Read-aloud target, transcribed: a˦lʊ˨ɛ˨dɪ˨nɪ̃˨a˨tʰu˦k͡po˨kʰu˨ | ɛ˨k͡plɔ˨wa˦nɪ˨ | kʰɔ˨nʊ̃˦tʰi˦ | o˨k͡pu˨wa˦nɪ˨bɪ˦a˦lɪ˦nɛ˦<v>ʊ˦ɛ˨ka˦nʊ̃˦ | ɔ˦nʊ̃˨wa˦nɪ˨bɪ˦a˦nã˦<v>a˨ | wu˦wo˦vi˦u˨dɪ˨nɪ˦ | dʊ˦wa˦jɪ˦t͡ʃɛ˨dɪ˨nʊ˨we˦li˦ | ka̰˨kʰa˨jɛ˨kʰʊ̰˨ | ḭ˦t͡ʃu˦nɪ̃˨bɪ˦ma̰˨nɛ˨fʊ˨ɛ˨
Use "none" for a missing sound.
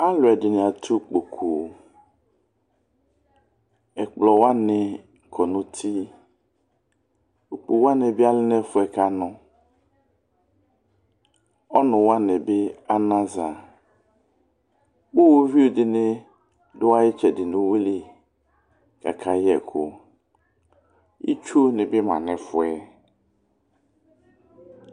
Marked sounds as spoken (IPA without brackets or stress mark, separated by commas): f, z